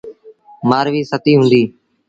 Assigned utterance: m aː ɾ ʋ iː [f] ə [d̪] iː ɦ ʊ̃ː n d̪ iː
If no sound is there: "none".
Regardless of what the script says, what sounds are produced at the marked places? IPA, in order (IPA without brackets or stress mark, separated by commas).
s, t̪